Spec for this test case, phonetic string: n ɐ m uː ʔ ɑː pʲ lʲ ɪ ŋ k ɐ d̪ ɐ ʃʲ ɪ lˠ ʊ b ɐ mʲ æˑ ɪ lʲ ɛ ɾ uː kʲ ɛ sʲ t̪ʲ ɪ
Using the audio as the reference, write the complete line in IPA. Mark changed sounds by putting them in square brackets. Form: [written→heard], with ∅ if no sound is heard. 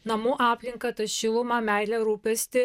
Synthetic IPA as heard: n ɐ m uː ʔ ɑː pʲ lʲ ɪ ŋ k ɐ [d̪→t̪] ɐ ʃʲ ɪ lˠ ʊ [b→m] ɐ mʲ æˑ ɪ lʲ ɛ ɾ uː [kʲ→pʲ] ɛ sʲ t̪ʲ ɪ